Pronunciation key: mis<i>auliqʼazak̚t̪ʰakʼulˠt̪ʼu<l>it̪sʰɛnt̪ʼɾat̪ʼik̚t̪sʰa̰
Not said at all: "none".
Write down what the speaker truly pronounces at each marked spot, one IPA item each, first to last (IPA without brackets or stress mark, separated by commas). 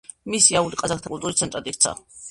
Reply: i, ɾ